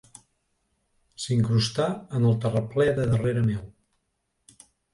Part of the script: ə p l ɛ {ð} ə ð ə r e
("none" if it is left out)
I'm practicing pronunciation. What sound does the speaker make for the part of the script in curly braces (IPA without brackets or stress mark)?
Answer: ð